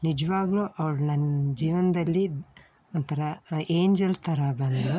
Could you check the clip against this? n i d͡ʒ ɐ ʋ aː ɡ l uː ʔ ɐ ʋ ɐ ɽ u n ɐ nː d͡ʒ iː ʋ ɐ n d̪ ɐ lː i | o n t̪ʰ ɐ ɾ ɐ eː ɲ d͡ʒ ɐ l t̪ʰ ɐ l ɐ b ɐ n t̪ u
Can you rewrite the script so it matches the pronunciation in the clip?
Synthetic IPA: n i d͡ʒ ɐ ʋ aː ɡ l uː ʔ ɐ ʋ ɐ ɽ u n ɐ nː d͡ʒ iː ʋ ɐ n d̪ ɐ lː i | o n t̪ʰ ɐ ɾ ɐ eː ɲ d͡ʒ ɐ l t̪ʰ ɐ ɾ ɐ b ɐ n d̪ u

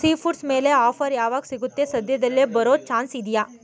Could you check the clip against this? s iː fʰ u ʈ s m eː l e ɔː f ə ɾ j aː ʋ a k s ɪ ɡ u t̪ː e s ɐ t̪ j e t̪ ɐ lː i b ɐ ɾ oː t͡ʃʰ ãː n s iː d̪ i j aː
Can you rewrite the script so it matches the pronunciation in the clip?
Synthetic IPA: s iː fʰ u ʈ s m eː l e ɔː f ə ɾ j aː ʋ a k s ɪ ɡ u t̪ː e s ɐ d̪ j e d̪ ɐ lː e b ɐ ɾ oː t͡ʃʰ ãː n s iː d̪ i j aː

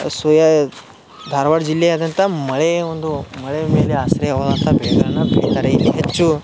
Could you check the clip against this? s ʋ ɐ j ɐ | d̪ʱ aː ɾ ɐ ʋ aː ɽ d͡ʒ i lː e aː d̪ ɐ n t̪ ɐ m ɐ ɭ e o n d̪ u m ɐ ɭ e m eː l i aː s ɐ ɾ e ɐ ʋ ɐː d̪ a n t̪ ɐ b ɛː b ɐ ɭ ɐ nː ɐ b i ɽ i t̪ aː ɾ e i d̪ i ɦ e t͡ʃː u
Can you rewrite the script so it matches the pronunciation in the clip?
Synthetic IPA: s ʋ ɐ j ɐ | d̪ʱ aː ɾ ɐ ʋ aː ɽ d͡ʒ i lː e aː d̪ ɐ n t̪ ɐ m ɐ ɭ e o n d̪ u m ɐ ɭ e m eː l e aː s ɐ ɾ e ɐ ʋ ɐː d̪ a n t̪ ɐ b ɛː ɡ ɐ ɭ ɐ nː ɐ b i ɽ i t̪ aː ɾ e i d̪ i ɦ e t͡ʃː u

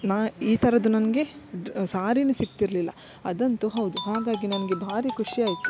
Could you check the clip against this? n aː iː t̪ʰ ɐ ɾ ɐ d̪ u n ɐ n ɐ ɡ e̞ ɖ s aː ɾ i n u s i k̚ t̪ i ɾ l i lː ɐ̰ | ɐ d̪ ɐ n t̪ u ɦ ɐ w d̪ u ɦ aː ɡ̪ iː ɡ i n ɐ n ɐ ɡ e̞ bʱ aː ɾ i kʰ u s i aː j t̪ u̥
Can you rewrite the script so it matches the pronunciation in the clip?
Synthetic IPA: n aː iː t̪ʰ ɐ ɾ ɐ d̪ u n ɐ n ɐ ɡ e̞ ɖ s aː ɾ i n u s i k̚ t̪ i ɾ l i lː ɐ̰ | ɐ d̪ ɐ n t̪ u ɦ ɐ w d̪ u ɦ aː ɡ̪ aː ɡ i n ɐ n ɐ ɡ e̞ bʱ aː ɾ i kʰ u ʂ i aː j t̪ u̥

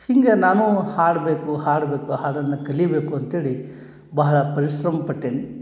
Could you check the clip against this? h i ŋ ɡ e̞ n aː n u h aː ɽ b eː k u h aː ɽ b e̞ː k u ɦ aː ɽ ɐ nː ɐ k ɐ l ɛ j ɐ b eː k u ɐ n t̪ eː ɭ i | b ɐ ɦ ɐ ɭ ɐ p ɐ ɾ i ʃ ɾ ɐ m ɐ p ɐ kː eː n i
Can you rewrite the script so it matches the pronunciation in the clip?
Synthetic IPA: h i ŋ ɡ e̞ n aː n u h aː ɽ b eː k u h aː ɽ b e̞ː k u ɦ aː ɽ ɐ nː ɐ k ɐ l i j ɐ b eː k u ɐ n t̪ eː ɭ i | b ɐ ɦ ɐ ɭ ɐ p ɐ ɾ i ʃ ɾ ɐ m ɐ p ɐ ʈː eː n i

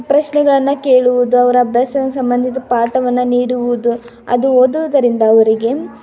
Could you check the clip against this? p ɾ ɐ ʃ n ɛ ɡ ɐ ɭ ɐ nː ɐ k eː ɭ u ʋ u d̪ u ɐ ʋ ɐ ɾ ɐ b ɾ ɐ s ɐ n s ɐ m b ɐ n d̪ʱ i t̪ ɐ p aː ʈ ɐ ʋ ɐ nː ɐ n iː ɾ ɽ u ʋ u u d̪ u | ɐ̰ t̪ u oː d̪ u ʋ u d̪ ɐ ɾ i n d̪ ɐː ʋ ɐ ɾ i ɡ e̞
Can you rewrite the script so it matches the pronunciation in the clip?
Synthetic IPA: p ɾ ɐ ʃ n ɛ ɡ ɐ ɭ ɐ nː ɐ k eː ɭ u ʋ u d̪ u ɐ ʋ ɐ ɾ ɐ b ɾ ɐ s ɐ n s ɐ m b ɐ n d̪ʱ i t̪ ɐ p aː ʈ ɐ ʋ ɐ nː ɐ n iː ɽ u ʋ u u d̪ u | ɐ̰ d̪ u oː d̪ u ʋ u d̪ ɐ ɾ i n d̪ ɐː ʋ ɐ ɾ i ɡ e̞

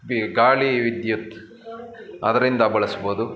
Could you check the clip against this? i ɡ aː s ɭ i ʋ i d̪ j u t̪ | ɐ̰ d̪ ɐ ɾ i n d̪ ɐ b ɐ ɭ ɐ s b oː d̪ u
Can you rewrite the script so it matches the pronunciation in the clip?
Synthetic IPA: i ɡ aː ɭ i ʋ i d̪ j u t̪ | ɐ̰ d̪ ɐ ɾ i n d̪ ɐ b ɐ ɭ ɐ s b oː d̪ u

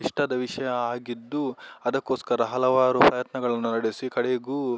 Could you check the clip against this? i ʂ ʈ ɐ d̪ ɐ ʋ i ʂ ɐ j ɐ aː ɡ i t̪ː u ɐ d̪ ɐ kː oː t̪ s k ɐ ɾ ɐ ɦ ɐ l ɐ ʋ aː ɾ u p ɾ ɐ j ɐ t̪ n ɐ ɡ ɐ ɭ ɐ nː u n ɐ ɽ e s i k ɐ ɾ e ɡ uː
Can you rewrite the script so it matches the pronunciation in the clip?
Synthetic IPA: i ʂ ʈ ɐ d̪ ɐ ʋ i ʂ ɐ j ɐ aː ɡ i d̪ː u ɐ d̪ ɐ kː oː s k ɐ ɾ ɐ ɦ ɐ l ɐ ʋ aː ɾ u p ɾ ɐ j ɐ t̪ n ɐ ɡ ɐ ɭ ɐ nː u n ɐ ɽ e s i k ɐ ɽ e ɡ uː

